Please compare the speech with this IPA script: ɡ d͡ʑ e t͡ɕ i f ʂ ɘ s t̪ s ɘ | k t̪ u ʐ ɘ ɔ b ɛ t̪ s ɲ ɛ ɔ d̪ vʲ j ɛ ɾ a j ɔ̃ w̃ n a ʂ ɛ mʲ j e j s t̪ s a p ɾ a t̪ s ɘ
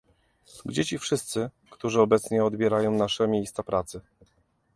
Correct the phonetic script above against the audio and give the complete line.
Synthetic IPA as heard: ɡ d͡ʑ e t͡ɕ i f ʂ ɘ s t̪ s ɘ | k t̪ u ʐ ɘ ɔ b ɛ t̪ s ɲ ɛ ɔ d̪ bʲ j ɛ ɾ a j ɔ̃ w̃ n a ʂ ɛ mʲ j e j s t̪ s a p ɾ a t̪ s ɘ